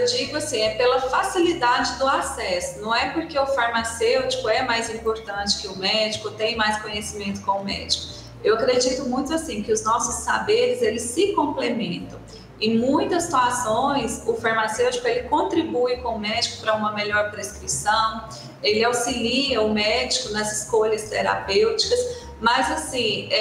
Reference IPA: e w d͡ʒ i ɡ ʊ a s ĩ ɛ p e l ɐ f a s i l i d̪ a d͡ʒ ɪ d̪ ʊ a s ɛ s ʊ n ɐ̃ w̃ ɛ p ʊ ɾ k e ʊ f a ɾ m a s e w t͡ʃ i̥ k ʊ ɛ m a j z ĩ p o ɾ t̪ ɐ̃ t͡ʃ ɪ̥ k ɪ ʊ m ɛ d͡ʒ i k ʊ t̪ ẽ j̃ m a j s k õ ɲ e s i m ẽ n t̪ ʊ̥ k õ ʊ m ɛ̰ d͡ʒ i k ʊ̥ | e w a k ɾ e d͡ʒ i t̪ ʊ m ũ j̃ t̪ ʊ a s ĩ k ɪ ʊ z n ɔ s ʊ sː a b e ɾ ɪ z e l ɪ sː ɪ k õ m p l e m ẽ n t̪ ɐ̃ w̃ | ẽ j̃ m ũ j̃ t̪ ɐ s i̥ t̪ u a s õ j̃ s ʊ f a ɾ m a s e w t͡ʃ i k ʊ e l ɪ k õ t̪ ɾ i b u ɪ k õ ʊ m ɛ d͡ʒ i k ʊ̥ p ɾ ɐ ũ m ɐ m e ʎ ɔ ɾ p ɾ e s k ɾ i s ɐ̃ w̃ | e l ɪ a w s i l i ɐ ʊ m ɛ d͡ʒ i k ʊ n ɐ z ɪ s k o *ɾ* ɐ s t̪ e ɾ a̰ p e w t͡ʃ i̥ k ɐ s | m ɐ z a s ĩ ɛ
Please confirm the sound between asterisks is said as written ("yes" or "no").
no